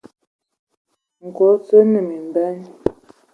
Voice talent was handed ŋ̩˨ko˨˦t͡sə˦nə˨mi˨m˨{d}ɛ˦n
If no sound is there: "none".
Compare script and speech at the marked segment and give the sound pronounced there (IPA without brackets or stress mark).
b